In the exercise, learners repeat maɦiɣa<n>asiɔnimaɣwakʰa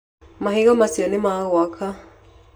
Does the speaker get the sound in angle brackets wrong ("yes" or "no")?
yes